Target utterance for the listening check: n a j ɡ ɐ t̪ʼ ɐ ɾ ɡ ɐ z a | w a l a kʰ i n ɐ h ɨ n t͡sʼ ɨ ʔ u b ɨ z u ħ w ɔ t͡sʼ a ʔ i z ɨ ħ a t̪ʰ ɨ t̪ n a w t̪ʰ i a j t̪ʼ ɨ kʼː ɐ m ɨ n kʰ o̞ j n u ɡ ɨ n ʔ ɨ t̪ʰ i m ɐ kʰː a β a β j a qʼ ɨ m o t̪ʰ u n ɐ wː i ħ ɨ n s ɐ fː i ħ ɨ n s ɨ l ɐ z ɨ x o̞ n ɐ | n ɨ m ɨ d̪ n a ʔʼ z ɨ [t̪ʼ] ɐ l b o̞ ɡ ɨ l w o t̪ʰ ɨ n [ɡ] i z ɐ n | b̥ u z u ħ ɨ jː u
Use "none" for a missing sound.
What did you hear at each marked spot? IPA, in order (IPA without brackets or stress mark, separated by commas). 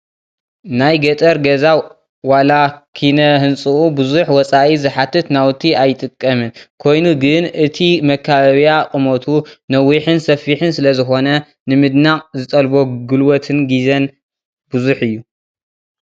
t̪ʼ, ɡ